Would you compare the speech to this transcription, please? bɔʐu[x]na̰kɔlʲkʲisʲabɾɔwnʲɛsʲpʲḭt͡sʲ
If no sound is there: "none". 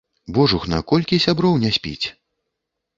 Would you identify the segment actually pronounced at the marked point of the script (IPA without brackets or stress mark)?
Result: x